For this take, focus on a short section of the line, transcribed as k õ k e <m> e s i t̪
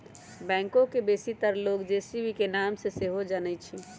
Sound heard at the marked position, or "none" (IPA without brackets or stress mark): b